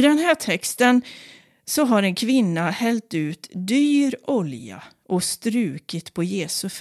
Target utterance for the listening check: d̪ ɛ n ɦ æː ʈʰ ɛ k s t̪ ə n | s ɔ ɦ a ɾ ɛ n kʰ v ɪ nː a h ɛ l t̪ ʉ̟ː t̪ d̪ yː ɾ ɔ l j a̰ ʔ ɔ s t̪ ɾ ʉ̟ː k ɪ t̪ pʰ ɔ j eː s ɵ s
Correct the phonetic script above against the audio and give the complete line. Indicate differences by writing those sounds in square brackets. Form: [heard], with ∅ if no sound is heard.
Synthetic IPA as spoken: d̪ ɛ n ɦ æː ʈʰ ɛ k s t̪ ə n | s ɔ ɦ a ɾ ɛ n kʰ v ɪ nː a h ɛ l t̪ ʉ̟ː t̪ d̪ yː ɾ ɔ l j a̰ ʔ ɔ s t̪ ɾ ʉ̟ː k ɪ t̪ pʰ ɔ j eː s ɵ [f]